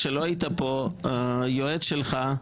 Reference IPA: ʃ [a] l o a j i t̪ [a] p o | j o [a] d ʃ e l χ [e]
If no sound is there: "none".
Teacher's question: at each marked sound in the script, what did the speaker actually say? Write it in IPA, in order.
e, a, e, a

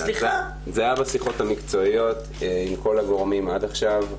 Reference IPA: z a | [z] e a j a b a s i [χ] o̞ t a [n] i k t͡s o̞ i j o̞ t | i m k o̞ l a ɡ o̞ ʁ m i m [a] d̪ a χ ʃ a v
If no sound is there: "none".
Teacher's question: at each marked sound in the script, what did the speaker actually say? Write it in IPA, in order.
z, χ, m, a

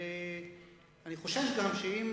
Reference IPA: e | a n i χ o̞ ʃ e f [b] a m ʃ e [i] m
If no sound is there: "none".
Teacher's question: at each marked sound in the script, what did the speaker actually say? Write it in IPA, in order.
ɡ, i

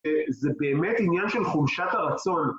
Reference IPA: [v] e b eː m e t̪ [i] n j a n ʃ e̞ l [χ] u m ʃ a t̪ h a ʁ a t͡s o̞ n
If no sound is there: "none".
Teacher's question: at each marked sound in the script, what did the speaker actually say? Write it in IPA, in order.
z, i, χ

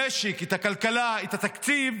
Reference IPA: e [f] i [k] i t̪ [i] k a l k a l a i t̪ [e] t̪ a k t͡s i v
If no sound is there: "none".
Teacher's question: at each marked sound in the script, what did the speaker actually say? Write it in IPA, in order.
ʃ, k, a, a

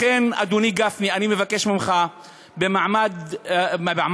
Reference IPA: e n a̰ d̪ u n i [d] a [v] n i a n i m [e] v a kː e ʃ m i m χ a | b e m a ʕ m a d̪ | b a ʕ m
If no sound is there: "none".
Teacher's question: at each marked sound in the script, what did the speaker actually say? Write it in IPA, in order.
ɡ, f, e

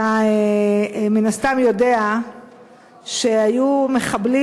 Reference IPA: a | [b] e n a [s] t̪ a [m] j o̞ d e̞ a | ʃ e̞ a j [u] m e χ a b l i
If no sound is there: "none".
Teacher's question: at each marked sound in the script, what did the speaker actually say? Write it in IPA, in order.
m, s, m, u

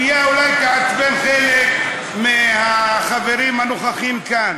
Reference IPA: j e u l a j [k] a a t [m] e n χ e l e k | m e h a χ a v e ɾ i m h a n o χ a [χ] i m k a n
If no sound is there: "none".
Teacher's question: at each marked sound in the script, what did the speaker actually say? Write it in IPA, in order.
k, b, χ

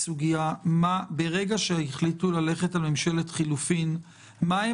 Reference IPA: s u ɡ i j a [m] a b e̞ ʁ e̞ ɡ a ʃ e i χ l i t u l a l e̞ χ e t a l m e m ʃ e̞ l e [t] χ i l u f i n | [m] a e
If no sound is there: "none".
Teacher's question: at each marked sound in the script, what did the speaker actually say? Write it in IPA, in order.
m, t, m

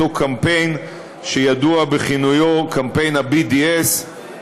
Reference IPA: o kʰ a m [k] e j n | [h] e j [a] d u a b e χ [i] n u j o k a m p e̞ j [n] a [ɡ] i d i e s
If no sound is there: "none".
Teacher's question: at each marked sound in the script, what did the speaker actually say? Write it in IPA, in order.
p, ʃ, a, i, n, b

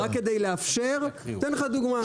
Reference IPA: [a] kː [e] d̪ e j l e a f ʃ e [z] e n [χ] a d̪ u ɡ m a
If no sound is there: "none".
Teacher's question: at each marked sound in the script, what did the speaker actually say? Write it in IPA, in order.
a, e, ʁ, χ

